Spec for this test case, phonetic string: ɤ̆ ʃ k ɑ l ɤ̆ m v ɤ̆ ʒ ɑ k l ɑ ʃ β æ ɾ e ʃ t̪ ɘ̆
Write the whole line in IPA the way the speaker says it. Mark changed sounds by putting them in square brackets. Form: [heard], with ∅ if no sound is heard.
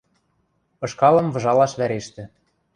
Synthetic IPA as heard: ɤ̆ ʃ k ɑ l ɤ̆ m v ɤ̆ ʒ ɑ [∅] l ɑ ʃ β æ ɾ e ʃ t̪ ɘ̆